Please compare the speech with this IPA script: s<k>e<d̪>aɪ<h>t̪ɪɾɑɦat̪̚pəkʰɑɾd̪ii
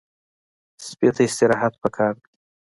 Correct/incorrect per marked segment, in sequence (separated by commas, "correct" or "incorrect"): incorrect, incorrect, incorrect